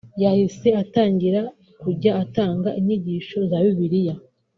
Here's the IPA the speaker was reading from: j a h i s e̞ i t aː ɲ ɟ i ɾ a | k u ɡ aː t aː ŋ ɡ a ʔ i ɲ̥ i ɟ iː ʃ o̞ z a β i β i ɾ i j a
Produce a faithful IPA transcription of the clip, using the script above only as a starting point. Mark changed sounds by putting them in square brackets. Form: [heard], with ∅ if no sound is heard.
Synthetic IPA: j a h i s e̞ [a] t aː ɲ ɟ i ɾ a | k u [ɟ] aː t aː ŋ ɡ a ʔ i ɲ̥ i ɟ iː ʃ o̞ z a β i β i ɾ i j a